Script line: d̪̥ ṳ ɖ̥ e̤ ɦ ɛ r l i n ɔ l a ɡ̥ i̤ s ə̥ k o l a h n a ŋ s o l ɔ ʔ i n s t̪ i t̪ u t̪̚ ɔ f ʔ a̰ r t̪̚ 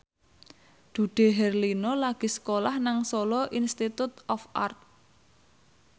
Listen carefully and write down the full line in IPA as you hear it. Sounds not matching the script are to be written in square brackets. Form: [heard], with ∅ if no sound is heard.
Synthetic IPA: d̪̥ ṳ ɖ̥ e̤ ɦ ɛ r l i n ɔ l a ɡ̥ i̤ s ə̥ k o l a h n a ŋ s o l ɔ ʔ i n s t̪ i t̪ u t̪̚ ɔ f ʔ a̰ r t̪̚